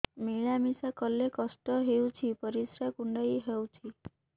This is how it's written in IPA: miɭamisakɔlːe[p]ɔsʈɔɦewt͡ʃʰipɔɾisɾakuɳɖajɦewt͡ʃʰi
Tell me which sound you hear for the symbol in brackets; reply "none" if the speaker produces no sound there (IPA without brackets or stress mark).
k